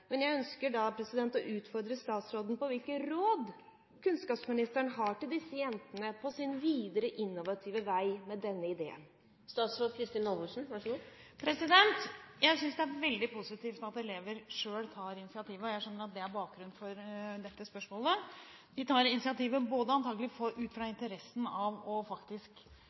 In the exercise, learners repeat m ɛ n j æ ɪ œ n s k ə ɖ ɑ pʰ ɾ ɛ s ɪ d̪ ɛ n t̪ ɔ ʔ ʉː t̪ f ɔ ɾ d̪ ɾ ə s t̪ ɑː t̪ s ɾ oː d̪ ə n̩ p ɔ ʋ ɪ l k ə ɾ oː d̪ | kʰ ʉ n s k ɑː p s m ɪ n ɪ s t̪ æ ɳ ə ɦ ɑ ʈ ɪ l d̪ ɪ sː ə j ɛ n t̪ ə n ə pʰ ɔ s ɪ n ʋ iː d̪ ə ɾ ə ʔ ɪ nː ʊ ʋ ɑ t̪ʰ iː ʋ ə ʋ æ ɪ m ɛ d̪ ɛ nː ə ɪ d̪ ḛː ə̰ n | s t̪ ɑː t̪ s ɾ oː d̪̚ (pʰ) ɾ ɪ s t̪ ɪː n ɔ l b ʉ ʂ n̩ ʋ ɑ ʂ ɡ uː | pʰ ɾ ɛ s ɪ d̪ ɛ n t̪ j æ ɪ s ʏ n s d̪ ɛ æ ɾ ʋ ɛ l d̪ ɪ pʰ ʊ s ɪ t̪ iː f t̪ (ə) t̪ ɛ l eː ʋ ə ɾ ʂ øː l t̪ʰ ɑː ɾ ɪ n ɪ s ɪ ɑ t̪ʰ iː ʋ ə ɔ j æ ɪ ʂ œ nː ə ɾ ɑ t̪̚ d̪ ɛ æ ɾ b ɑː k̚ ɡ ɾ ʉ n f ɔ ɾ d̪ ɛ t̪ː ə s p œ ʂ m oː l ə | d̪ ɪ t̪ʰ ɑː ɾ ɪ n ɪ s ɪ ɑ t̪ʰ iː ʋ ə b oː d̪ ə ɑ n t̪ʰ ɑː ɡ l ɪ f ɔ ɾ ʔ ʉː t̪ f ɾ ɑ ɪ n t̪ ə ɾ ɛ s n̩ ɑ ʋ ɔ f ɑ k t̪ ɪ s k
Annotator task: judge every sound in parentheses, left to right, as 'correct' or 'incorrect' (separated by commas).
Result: incorrect, incorrect